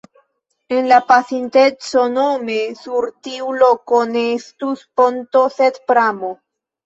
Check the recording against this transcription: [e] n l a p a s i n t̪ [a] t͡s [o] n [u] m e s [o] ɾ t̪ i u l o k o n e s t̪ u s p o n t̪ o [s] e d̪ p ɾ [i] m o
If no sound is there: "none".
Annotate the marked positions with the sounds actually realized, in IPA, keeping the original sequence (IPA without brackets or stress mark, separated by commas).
e, e, o, o, u, s, a